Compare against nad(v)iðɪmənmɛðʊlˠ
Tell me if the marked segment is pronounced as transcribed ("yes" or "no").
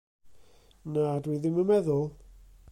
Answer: no